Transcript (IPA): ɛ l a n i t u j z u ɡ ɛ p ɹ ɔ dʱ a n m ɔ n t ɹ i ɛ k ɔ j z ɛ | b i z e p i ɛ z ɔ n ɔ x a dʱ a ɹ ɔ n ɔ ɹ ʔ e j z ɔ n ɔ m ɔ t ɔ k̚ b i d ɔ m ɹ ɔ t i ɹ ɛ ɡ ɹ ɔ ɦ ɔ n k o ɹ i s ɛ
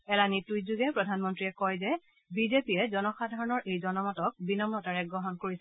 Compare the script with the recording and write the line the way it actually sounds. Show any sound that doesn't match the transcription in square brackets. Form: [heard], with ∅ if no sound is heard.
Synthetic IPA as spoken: ɛ l a n i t u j z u ɡ ɛ p ɹ ɔ dʱ a n m ɔ n t ɹ i ɛ k ɔ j z ɛ | b i z e p i ɛ z ɔ n ɔ x a dʱ a ɹ ɔ n ɔ ɹ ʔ e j z ɔ n ɔ m ɔ t ɔ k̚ b i [n] ɔ m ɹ ɔ t [a] ɹ ɛ ɡ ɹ ɔ ɦ ɔ n k o ɹ i s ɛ